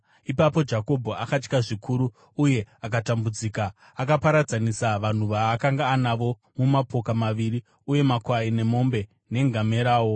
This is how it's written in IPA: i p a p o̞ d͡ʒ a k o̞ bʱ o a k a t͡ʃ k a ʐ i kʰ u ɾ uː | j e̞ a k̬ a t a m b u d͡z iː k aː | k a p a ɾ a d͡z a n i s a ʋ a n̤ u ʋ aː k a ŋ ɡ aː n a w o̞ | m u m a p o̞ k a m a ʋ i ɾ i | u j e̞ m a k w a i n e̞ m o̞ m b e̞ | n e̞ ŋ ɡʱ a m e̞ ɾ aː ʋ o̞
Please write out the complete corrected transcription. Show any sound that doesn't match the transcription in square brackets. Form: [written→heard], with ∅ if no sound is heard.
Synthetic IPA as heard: i p a p o̞ d͡ʒ a k o̞ bʱ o a k a t͡ʃ k a ʐ i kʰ u ɾ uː | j e̞ a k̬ a t a m b u d͡z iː k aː | k a p a ɾ a d͡z a n i s a ʋ a n̤ u ʋ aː k a ŋ ɡ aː n a [w→ʋ] o̞ | m u m a p o̞ k a m a ʋ i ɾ i | u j e̞ m a k w a i n e̞ m o̞ m b e̞ | n e̞ ŋ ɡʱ a m e̞ ɾ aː [ʋ→w] o̞

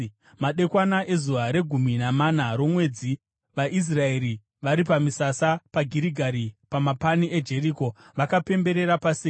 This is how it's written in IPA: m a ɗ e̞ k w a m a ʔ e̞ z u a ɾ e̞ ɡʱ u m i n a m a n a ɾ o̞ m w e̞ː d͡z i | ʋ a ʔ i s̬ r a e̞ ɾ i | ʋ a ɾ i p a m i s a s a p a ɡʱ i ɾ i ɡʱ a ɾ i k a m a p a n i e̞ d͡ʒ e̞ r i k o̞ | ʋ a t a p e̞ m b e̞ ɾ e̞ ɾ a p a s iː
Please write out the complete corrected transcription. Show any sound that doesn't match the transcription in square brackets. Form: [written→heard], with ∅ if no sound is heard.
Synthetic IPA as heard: m a ɗ e̞ k w a [m→n] a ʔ e̞ z u a ɾ e̞ ɡʱ u m i n a m a n a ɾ o̞ m w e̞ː d͡z i | ʋ a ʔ i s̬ r a e̞ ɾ i | ʋ a ɾ i p a m i s a s a p a ɡʱ i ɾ i ɡʱ a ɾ i [k→p] a m a p a n i e̞ d͡ʒ e̞ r i k o̞ | ʋ a [t→k] a p e̞ m b e̞ ɾ e̞ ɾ a p a s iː

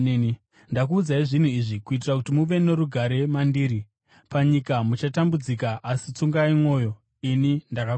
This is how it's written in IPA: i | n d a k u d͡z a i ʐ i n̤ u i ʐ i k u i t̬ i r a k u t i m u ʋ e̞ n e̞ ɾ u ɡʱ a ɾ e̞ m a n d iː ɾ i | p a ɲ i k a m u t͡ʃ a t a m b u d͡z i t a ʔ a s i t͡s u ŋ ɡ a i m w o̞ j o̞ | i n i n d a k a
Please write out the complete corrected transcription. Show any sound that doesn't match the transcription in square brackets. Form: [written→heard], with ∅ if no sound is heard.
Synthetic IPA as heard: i | n d a k [u→uː] d͡z a i ʐ i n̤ u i ʐ i k u i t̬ i r a k u t i m u ʋ e̞ n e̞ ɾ u ɡʱ a ɾ e̞ m a n d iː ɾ i | p a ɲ i k a m u t͡ʃ a t a m b u d͡z i [t→k] a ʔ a s i t͡s u ŋ ɡ a i m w o̞ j o̞ | i n i n d a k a

